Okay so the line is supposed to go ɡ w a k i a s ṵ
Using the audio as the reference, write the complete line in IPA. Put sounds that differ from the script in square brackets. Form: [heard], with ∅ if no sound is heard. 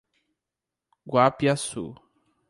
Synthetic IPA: ɡ w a [p] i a s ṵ